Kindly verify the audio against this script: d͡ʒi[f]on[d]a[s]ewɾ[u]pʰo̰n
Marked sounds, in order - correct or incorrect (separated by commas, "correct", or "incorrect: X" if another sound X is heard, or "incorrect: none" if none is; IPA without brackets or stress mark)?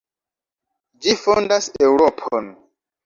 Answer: correct, correct, correct, incorrect: o